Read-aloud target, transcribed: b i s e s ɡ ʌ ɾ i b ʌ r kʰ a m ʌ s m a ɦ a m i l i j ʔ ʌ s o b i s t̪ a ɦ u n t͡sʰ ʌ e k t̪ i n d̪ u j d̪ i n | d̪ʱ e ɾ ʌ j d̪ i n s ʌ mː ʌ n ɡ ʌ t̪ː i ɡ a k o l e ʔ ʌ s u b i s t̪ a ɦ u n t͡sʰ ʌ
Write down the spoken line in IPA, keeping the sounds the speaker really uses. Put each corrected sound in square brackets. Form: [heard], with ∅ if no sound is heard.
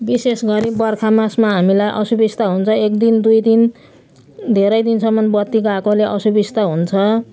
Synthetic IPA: b i s e s ɡ ʌ ɾ i b ʌ r kʰ a m [a] s m a ɦ a m i l [a] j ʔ ʌ s [u] b i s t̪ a ɦ u n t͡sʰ ʌ e k [d̪] i n d̪ u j d̪ i n | d̪ʱ e ɾ ʌ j d̪ i n s ʌ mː ʌ n [b] ʌ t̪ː i ɡ a k o l e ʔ ʌ s u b i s t̪ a ɦ u n t͡sʰ ʌ